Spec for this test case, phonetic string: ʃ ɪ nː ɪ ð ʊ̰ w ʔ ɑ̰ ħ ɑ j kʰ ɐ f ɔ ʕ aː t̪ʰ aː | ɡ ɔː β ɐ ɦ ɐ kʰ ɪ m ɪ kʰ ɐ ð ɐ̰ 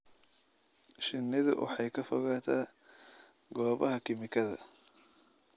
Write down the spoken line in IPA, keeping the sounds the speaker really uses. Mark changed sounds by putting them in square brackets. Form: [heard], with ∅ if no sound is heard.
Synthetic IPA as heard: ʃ ɪ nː ɪ ð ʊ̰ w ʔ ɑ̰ ħ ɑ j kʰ ɐ f ɔ [ɣ] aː t̪ʰ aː | ɡ ɔː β ɐ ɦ ɐ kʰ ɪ m ɪ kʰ ɐ ð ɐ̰